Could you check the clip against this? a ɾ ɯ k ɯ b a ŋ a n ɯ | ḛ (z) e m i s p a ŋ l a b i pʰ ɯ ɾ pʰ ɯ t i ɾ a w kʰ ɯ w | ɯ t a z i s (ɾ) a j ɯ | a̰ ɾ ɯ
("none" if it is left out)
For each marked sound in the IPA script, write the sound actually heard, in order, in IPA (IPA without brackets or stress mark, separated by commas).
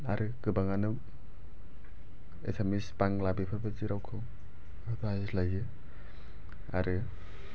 s, l